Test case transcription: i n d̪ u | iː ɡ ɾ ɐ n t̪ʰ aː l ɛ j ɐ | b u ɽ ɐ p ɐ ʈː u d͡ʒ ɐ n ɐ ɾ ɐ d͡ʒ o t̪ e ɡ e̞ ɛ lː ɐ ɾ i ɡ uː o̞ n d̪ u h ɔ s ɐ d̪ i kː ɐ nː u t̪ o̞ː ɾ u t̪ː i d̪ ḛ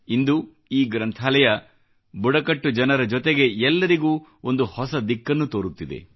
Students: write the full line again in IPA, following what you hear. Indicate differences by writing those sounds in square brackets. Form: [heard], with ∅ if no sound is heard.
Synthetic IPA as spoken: i n d̪ u | iː ɡ ɾ ɐ n t̪ʰ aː l ɛ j ɐ | b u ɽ ɐ [k] ɐ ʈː u d͡ʒ ɐ n ɐ ɾ ɐ d͡ʒ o t̪ e ɡ e̞ ɛ lː ɐ ɾ i ɡ uː o̞ n d̪ u h ɔ s ɐ d̪ i kː ɐ nː u t̪ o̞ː ɾ u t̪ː i d̪ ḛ

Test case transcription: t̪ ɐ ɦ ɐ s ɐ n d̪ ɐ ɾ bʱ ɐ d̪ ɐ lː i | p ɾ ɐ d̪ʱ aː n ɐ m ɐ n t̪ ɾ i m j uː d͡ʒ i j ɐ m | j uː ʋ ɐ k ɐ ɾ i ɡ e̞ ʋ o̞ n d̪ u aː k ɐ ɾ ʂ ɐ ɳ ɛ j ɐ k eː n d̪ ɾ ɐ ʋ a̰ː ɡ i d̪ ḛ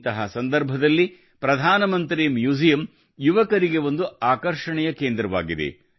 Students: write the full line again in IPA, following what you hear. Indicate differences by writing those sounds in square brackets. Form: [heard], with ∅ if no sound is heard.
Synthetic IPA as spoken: t̪ ɐ ɦ ɐ s ɐ n d̪ ɐ ɾ bʱ ɐ d̪ ɐ lː i | p ɾ ɐ d̪ʱ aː n ɐ m ɐ n t̪ ɾ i m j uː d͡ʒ i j ɐ m | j [u] ʋ ɐ k ɐ ɾ i ɡ e̞ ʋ o̞ n d̪ u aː k ɐ ɾ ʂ ɐ ɳ ɛ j ɐ k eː n d̪ ɾ ɐ ʋ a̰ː ɡ i d̪ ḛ

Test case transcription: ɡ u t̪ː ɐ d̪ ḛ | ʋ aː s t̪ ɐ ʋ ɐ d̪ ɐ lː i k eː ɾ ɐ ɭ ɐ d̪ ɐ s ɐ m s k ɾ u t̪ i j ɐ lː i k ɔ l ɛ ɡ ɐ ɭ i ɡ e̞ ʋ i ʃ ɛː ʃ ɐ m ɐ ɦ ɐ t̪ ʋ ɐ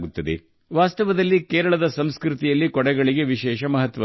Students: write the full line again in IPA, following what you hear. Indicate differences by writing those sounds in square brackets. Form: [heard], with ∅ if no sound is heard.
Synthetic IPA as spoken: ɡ u t̪ː ɐ d̪ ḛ | ʋ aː s t̪ ɐ ʋ ɐ d̪ ɐ lː i k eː ɾ ɐ ɭ ɐ d̪ ɐ s ɐ m s k ɾ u t̪ i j ɐ lː i k ɔ [ɽ] ɛ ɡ ɐ ɭ i ɡ e̞ ʋ i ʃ ɛː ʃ ɐ m ɐ ɦ ɐ t̪ ʋ ɐ

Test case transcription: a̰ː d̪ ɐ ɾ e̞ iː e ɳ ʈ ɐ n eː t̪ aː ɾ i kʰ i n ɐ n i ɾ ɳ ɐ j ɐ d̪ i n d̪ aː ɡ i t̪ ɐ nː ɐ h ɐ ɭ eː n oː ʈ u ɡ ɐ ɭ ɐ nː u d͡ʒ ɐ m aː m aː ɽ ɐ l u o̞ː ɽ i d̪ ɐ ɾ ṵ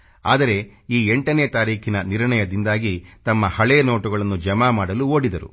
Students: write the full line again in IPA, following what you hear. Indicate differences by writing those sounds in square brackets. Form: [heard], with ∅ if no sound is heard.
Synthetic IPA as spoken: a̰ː d̪ ɐ ɾ e̞ iː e ɳ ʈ ɐ n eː t̪ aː ɾ [iː] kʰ i n ɐ n i ɾ ɳ ɐ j ɐ d̪ i n d̪ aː ɡ i t̪ ɐ [mː] ɐ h ɐ ɭ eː n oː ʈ u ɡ ɐ ɭ ɐ nː u d͡ʒ ɐ m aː m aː ɽ ɐ l u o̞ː ɽ i d̪ ɐ ɾ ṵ

